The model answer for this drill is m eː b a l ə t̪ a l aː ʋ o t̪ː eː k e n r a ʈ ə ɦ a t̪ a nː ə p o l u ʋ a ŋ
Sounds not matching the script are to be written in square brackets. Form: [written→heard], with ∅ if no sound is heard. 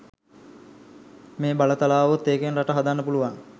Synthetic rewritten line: m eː b a l ə t̪ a l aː ʋ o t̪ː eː k e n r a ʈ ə ɦ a [t̪→d̪] a nː ə p [o→u] l u ʋ a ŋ